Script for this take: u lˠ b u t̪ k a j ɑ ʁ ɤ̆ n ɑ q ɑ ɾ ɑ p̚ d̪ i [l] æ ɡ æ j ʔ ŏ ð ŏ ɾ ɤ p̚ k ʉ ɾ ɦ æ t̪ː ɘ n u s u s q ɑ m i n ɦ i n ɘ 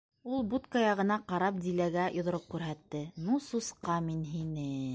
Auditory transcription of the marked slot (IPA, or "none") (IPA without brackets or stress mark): l